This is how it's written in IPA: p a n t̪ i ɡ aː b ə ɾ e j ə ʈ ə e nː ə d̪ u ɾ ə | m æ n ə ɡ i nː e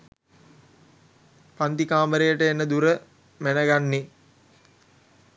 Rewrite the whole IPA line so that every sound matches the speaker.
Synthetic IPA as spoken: p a n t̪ i k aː m ə ɾ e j ə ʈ ə e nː ə d̪ u ɾ ə | m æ n ə ɡ a nː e